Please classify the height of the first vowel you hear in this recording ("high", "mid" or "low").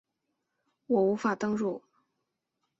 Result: mid